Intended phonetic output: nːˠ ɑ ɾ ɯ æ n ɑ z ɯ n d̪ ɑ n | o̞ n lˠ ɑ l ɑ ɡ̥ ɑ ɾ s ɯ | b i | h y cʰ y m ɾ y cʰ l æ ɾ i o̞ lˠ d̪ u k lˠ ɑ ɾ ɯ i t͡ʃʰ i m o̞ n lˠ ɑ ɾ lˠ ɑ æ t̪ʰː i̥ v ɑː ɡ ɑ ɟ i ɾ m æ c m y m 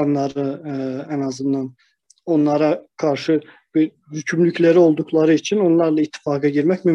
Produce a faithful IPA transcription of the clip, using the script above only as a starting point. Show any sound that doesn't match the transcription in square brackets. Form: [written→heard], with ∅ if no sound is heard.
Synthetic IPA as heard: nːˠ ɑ ɾ ɯ æ n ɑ z ɯ n d̪ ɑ n | o̞ n lˠ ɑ [l→ɾ] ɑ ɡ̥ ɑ ɾ [s→ʃ] ɯ | b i | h y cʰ y m [ɾ→l] y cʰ l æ ɾ i o̞ lˠ d̪ u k lˠ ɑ ɾ ɯ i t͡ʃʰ i [m→n] o̞ n lˠ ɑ ɾ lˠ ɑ [æ→i] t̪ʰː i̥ [v→f] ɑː ɡ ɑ ɟ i ɾ m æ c m y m